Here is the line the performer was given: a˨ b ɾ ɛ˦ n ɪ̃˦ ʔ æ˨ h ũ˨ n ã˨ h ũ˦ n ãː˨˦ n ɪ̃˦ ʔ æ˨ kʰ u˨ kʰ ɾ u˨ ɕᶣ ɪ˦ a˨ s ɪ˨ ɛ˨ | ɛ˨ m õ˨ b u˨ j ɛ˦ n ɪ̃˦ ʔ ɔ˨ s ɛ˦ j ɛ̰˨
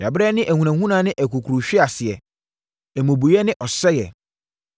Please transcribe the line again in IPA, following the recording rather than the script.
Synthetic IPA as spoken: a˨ b ɾ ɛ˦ n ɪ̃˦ ʔ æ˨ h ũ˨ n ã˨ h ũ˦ n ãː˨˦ n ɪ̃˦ ʔ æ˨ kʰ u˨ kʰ ɾ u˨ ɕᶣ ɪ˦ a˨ s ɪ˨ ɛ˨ | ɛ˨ m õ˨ b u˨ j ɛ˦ n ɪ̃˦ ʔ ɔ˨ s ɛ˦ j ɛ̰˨